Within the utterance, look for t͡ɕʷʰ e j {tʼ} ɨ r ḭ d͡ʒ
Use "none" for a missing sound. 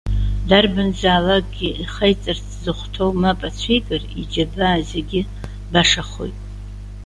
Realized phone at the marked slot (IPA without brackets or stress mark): kʼ